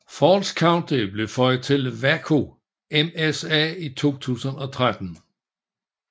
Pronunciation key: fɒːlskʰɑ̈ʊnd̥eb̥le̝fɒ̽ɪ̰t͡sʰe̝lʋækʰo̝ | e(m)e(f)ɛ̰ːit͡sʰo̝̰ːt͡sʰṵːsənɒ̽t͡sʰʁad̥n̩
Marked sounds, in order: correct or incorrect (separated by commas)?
correct, incorrect